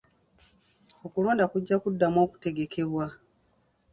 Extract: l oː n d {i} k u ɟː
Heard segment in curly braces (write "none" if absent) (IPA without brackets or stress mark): a